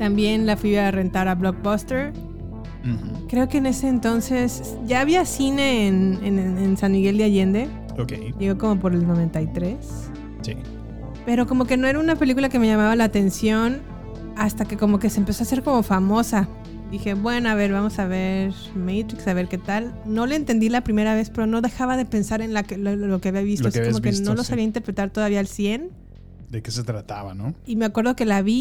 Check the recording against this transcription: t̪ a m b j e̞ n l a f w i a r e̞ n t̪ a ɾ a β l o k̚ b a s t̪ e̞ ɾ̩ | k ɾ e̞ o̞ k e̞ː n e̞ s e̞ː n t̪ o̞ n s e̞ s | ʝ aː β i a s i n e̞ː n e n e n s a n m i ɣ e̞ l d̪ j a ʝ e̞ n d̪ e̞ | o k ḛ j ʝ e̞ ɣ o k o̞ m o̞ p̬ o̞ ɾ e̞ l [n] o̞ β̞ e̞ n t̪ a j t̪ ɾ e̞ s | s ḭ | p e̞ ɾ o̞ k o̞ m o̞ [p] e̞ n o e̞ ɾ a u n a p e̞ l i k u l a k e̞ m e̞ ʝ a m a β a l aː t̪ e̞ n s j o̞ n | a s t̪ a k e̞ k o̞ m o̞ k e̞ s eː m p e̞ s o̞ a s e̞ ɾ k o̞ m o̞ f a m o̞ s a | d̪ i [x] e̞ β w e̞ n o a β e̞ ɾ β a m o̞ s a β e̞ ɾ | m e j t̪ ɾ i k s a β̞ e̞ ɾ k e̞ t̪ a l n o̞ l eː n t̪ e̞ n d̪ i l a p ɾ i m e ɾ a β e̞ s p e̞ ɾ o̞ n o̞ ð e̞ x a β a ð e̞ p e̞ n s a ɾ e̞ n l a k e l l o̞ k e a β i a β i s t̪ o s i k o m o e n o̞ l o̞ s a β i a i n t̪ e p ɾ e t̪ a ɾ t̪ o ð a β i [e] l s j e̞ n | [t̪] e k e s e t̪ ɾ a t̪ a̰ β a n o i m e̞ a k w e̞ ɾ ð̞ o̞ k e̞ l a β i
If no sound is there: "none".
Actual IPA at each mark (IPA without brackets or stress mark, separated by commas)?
n, k, x, a, d̪